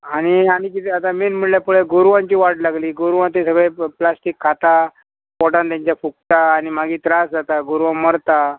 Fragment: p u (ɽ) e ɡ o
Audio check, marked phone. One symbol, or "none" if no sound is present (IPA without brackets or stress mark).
ɭ